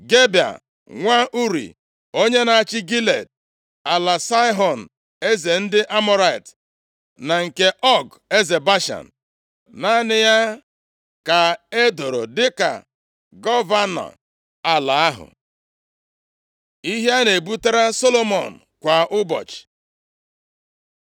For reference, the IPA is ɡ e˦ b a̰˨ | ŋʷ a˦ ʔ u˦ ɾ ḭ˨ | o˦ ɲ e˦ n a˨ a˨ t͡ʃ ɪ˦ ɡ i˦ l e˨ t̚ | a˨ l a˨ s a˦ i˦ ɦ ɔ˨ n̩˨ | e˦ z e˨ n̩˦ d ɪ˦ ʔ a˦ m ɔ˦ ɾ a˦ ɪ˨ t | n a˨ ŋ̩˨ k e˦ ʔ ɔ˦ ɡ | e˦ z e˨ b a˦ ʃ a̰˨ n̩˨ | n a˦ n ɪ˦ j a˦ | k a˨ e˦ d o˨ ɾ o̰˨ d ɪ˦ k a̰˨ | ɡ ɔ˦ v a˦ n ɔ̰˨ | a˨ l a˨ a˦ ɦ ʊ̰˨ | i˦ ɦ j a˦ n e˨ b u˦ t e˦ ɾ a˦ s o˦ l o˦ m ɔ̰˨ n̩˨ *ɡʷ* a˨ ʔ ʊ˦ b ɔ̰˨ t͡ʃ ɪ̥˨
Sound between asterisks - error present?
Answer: yes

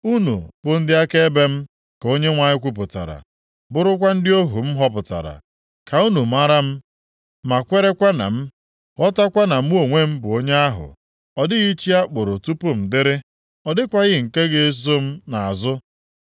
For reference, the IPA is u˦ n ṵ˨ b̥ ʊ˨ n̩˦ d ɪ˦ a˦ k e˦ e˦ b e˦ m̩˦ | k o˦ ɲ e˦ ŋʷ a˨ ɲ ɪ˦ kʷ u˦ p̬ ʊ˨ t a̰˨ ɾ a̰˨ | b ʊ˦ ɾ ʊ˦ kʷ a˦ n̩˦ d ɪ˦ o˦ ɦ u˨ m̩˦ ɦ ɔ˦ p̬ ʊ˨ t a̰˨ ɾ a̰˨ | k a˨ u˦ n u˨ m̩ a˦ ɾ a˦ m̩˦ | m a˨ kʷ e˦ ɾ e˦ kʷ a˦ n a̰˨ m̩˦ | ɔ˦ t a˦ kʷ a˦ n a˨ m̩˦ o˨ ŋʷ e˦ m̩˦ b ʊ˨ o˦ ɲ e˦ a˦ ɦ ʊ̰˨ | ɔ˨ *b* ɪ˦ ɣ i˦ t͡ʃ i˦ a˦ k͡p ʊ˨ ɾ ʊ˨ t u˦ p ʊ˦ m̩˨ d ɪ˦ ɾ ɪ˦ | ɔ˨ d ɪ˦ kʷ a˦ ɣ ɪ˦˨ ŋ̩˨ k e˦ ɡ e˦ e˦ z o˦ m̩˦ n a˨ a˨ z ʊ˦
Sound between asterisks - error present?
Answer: yes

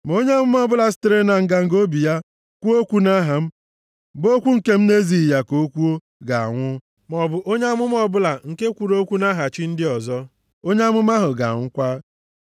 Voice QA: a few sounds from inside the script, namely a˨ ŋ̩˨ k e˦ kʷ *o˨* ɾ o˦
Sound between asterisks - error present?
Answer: yes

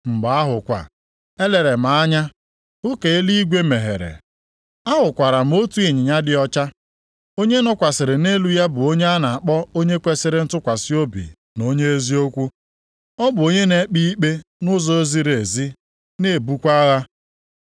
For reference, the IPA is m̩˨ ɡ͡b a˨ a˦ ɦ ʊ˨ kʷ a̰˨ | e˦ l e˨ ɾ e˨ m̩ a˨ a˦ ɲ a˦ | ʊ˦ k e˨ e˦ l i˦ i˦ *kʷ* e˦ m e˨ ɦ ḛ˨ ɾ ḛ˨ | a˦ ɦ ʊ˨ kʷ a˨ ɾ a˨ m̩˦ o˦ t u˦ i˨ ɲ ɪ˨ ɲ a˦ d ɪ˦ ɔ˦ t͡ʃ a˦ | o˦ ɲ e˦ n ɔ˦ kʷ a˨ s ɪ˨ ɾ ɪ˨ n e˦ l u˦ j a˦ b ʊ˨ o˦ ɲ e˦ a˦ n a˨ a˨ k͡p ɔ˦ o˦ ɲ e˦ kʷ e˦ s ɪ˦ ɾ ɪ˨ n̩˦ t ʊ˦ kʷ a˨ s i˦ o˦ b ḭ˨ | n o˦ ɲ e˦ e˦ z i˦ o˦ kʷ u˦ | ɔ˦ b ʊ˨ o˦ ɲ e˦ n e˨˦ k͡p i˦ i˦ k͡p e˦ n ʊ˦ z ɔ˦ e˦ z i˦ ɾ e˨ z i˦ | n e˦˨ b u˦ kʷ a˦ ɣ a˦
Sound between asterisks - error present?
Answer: yes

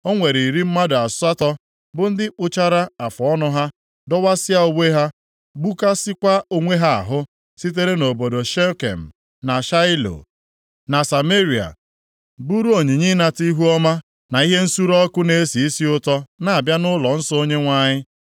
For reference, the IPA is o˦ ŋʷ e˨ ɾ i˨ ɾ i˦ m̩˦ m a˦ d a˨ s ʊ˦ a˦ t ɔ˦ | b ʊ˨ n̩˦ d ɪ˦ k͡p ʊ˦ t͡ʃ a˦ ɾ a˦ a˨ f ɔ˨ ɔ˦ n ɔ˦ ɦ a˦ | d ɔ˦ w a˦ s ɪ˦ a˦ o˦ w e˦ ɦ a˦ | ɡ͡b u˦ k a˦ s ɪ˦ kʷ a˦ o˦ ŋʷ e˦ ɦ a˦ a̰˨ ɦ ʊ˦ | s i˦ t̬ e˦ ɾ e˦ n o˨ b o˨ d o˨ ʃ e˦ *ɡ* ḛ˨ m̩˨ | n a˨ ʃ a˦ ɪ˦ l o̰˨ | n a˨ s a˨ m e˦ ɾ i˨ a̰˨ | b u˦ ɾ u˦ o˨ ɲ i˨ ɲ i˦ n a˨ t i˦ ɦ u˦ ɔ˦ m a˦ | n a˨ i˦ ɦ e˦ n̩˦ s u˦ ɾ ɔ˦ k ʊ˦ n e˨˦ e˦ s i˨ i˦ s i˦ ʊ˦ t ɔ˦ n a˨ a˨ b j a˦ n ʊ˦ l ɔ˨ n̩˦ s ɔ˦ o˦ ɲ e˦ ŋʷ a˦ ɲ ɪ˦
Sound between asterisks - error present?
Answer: yes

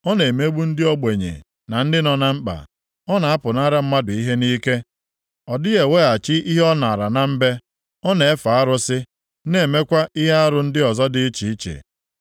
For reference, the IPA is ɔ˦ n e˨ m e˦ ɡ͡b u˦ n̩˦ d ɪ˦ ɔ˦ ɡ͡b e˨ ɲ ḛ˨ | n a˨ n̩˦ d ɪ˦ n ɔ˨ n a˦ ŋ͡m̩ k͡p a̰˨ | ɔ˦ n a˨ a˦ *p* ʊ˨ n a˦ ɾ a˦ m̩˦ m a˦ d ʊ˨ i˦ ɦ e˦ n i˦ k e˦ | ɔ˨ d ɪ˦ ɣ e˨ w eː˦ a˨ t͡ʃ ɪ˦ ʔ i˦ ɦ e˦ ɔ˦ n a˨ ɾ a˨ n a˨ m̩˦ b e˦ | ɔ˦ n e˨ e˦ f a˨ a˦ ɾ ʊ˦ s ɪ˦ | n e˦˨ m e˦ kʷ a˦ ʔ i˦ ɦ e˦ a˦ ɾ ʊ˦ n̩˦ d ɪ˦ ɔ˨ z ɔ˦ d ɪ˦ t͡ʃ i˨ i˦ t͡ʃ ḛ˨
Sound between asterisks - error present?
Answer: no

